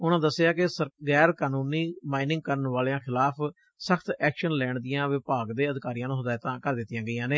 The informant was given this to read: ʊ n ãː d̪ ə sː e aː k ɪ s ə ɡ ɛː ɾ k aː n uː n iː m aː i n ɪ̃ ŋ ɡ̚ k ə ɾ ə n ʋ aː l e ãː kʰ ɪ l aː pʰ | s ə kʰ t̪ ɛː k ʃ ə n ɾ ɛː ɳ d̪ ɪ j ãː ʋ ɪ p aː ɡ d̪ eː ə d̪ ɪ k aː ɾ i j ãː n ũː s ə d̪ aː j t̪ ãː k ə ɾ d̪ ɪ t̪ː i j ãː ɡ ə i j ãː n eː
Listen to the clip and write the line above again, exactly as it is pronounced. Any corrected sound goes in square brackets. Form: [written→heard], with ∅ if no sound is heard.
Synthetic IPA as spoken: ʊ n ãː d̪ ə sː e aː k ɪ s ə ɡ ɛː ɾ k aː n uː n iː m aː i n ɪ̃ ŋ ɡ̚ k ə ɾ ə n ʋ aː l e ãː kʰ ɪ l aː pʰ | s ə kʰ t̪ ɛː k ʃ ə n [ɾ→l] ɛː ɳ d̪ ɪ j ãː ʋ ɪ p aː ɡ d̪ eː ə d̪ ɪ k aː ɾ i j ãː n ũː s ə d̪ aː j t̪ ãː k ə ɾ d̪ ɪ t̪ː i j ãː ɡ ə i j ãː n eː